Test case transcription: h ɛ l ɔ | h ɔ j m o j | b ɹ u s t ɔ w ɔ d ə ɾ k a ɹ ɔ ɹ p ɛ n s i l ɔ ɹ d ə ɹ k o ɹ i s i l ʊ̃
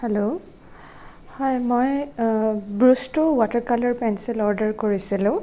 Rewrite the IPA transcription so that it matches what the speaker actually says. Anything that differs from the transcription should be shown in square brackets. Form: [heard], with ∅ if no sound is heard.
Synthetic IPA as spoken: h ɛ l [o] | h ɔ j m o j | b ɹ u s t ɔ w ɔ [t] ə [ɹ] k a [l] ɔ ɹ p ɛ n s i l ɔ ɹ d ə ɹ k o ɹ i s i l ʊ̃